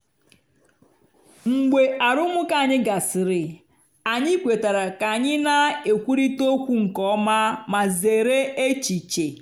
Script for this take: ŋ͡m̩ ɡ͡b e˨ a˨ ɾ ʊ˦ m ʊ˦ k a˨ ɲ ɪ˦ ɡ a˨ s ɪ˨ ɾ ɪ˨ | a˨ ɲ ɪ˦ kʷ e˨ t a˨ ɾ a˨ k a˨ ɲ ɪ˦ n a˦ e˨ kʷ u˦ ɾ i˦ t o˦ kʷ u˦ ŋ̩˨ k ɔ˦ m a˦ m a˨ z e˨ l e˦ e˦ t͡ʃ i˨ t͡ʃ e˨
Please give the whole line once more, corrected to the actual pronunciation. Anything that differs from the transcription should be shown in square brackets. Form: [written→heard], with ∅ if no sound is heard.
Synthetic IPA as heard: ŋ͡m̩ ɡ͡b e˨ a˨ ɾ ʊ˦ m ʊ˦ k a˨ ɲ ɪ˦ ɡ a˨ s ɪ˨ ɾ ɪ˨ | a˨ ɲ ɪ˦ kʷ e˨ t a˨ ɾ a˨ k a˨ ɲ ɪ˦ n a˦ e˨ kʷ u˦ ɾ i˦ t o˦ kʷ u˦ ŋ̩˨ k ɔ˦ m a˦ m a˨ z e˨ [l→ɾ] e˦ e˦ t͡ʃ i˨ t͡ʃ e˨